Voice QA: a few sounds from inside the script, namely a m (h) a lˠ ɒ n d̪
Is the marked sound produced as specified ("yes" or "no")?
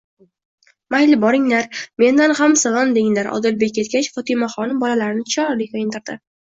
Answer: no